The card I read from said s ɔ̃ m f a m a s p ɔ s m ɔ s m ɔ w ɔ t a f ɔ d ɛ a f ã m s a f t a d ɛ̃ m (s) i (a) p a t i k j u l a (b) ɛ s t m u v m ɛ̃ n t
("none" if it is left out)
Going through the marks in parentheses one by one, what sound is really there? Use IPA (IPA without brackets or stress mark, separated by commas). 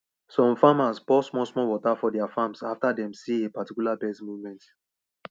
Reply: s, e, b